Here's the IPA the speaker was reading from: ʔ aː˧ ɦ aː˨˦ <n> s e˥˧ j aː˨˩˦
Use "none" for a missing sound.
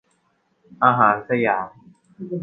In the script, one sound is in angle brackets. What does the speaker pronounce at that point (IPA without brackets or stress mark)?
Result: n